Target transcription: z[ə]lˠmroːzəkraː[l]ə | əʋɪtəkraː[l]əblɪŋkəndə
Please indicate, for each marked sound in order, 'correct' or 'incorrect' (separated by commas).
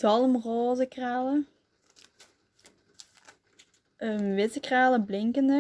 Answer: incorrect, correct, correct